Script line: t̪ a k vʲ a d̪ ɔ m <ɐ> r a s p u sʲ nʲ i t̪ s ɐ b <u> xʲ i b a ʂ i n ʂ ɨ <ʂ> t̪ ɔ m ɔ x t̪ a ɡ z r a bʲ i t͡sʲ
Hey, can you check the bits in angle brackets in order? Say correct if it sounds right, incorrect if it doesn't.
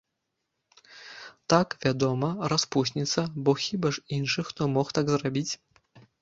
correct, incorrect, incorrect

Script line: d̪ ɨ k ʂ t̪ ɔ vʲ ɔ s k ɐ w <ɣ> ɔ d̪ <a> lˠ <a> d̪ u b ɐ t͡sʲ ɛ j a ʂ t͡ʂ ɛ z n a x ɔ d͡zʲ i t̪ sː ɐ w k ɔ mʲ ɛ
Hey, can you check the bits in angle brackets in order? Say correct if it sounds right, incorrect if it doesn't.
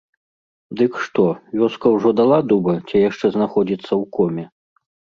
incorrect, correct, correct

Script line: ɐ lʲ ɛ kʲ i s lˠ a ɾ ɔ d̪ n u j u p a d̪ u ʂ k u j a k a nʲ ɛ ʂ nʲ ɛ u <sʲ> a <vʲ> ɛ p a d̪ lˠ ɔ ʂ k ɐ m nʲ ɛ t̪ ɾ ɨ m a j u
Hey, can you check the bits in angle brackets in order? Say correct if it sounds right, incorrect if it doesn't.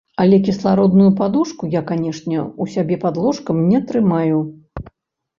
correct, incorrect

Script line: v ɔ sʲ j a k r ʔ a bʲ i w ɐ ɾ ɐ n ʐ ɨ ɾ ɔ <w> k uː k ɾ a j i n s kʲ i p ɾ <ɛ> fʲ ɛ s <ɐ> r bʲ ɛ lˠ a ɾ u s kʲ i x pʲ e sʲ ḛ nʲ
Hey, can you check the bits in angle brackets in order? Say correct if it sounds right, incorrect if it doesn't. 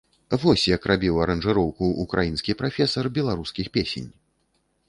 correct, incorrect, correct

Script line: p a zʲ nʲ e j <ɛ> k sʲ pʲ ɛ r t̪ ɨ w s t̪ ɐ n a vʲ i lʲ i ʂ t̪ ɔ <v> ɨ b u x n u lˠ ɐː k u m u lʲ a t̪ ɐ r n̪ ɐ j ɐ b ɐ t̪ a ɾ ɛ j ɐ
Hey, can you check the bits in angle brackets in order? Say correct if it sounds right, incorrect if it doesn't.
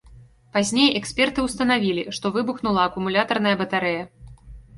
correct, correct

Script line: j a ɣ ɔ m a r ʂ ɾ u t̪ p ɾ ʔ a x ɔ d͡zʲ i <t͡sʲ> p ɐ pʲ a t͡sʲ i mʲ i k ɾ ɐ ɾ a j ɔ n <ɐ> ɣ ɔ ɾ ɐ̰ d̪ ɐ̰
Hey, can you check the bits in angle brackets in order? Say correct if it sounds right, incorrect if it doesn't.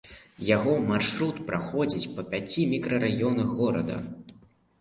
correct, correct

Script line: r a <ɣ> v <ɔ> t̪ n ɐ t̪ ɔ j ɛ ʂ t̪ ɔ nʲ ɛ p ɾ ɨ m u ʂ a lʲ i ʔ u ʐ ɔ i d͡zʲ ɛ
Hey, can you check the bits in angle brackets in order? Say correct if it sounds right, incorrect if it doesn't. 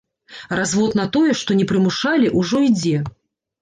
incorrect, correct

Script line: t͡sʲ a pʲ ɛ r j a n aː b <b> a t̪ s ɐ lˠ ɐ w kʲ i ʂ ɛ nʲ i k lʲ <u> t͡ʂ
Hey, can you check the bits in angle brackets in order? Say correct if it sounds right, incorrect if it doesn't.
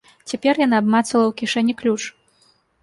incorrect, correct

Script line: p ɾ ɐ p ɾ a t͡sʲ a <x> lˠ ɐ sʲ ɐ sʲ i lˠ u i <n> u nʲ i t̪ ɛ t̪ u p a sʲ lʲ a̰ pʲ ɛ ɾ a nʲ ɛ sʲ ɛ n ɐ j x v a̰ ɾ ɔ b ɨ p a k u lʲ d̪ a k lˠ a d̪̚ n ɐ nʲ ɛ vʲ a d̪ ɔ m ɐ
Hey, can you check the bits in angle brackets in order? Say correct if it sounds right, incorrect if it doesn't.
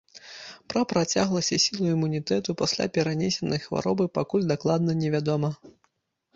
incorrect, incorrect

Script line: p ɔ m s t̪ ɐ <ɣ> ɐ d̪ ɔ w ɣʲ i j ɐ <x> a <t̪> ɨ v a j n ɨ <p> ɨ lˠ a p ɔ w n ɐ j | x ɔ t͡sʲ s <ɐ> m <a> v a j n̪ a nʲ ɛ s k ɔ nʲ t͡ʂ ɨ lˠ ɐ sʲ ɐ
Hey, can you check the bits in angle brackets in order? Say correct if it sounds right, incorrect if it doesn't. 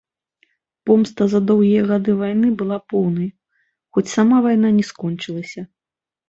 incorrect, incorrect, incorrect, incorrect, incorrect, correct

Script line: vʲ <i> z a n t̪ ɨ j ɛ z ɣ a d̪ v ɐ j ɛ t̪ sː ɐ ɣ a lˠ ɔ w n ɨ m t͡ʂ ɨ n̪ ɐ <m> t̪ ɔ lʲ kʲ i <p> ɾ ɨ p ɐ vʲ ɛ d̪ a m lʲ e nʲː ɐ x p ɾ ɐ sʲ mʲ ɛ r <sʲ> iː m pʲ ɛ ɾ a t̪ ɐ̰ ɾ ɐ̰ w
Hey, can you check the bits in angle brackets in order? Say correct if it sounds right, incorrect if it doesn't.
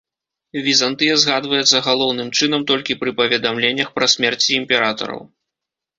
correct, correct, correct, incorrect

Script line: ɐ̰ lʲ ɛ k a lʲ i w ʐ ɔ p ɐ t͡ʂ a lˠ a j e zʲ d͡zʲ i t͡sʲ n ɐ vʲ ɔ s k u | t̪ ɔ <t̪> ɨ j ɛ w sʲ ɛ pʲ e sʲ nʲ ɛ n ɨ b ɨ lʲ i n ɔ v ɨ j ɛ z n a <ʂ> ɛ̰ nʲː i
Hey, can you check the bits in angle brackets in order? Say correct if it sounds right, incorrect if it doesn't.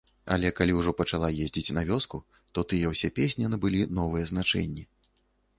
correct, incorrect

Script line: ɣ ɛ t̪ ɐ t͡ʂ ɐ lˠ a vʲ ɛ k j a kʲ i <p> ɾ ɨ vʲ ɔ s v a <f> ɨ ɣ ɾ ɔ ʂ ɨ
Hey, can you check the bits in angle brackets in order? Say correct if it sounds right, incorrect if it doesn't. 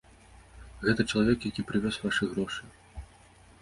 correct, incorrect

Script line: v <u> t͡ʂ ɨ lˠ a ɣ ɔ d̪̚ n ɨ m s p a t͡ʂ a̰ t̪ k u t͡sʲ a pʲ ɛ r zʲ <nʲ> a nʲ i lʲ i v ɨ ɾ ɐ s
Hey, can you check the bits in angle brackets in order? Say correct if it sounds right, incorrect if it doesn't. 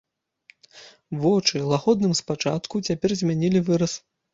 incorrect, incorrect

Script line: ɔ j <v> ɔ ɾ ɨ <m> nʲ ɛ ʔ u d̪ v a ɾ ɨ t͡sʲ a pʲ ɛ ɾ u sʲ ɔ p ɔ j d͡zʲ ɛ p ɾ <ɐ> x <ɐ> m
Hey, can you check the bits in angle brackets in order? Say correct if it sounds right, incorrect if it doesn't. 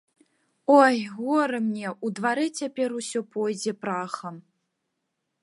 incorrect, correct, incorrect, correct

